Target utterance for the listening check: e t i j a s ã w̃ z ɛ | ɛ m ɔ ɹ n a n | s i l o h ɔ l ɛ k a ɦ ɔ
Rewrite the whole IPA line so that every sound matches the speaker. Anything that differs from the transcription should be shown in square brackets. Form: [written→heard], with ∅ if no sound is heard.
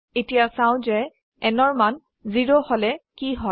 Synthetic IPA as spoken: e t i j a s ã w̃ z ɛ | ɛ [m→n] ɔ ɹ [n→m] a n | [s→z] i [l→ɹ] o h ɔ l ɛ k [a→i] ɦ ɔ